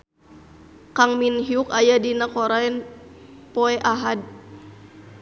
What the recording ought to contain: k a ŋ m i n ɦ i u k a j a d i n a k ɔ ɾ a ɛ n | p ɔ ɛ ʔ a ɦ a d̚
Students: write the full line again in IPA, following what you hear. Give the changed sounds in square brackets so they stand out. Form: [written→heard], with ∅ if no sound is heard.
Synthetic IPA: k a ŋ m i n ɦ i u k a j a d i n a k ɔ ɾ a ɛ n | p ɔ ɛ ʔ a ɦ a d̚